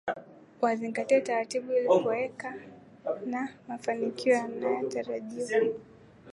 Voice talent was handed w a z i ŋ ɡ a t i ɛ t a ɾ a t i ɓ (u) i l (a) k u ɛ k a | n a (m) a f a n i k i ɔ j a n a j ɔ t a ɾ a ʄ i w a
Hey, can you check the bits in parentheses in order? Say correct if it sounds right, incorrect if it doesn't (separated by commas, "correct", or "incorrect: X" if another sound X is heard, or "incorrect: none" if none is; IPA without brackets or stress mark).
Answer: correct, incorrect: i, correct